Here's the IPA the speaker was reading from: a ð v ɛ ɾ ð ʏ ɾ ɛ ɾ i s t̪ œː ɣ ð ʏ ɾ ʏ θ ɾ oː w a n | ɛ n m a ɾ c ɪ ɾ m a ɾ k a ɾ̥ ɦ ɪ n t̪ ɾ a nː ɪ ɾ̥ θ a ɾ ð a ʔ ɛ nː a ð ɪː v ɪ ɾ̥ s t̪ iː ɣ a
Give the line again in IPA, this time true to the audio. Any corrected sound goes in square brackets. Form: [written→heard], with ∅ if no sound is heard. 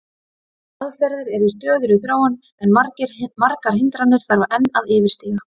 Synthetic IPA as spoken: a ð [v→f] ɛ ɾ ð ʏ ɾ ɛ ɾ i s t̪ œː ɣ ð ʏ ɾ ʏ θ ɾ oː w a n | ɛ n m a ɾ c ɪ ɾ m a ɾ k a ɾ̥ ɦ ɪ n t̪ ɾ a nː ɪ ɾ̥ θ a ɾ [ð→v] a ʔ ɛ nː a ð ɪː v ɪ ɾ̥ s t̪ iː ɣ a